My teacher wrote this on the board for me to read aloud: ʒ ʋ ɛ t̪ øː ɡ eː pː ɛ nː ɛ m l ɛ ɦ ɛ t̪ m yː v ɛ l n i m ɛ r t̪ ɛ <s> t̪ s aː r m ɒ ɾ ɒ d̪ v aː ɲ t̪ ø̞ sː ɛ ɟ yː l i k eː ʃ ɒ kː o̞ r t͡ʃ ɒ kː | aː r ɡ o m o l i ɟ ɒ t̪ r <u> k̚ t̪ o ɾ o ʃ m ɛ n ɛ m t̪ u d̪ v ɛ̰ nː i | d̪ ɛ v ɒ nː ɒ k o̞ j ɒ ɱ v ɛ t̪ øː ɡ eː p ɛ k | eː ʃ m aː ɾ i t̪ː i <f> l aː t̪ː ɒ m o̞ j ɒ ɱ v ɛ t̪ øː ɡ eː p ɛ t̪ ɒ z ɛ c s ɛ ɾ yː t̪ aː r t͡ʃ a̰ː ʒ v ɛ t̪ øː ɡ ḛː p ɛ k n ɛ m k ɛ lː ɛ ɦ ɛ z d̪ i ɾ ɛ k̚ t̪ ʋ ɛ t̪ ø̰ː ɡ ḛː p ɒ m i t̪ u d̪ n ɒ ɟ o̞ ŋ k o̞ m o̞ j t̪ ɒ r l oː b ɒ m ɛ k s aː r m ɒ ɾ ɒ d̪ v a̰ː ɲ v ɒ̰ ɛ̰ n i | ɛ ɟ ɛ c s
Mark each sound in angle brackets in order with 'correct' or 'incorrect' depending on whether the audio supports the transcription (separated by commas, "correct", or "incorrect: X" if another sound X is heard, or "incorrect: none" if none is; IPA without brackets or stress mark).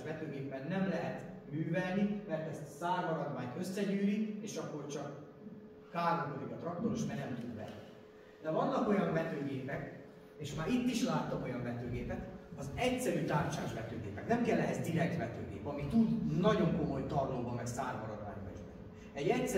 correct, incorrect: ɒ, incorrect: ʃ